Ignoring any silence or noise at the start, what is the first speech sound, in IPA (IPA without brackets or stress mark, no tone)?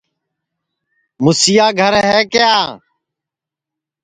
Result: m